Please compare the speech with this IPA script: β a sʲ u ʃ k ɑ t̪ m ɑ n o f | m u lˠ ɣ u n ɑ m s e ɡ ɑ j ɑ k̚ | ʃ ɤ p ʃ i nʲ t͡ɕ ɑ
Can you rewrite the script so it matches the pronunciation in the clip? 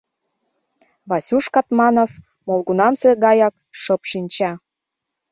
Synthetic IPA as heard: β ɑ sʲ u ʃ k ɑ t̪ m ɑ n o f | m o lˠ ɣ u n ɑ m s e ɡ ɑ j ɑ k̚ | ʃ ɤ p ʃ i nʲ t͡ɕ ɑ